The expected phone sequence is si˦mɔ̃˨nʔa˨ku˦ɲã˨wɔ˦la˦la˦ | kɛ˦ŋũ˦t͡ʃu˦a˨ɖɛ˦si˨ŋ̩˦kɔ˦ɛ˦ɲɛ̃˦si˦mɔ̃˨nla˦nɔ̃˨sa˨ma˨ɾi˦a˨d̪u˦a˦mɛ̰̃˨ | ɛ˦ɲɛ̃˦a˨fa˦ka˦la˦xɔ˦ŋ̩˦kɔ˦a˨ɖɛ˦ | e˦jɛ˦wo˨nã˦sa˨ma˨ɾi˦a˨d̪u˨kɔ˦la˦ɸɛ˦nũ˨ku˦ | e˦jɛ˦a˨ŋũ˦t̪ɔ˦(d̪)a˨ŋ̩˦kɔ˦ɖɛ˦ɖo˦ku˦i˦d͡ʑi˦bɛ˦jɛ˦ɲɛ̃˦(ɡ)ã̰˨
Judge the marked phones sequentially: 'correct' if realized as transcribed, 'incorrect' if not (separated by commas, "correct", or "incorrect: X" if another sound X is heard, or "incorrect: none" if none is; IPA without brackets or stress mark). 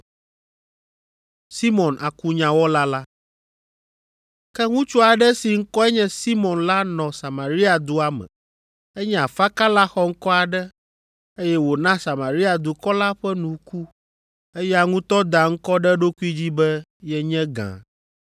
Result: correct, correct